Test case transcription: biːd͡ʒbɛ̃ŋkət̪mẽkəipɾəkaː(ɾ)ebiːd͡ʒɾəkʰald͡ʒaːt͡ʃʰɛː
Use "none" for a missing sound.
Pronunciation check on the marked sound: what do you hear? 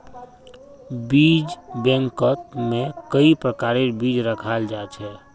ɾ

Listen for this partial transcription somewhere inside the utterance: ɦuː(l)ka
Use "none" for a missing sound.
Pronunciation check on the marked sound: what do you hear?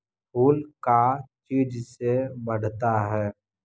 l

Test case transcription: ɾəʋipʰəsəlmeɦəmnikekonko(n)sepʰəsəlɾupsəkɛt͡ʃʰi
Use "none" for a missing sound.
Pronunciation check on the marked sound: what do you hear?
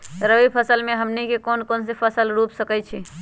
n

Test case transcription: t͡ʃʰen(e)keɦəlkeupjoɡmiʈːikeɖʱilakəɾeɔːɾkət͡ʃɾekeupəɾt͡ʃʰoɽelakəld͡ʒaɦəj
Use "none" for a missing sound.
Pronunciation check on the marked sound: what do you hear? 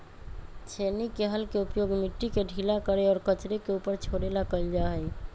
i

